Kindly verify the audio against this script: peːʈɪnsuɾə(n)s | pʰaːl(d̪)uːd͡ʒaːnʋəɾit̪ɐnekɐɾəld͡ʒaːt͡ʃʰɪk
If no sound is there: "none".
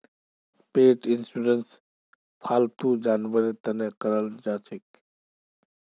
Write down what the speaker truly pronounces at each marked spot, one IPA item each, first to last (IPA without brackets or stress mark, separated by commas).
n, t̪